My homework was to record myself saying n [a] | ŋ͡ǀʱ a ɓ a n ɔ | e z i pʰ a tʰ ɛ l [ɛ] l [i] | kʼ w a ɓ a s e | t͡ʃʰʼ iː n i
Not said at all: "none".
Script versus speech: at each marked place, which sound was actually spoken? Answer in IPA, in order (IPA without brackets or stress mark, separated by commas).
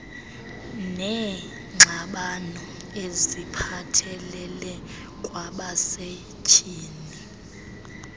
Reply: ɛ, ɛ, ɛ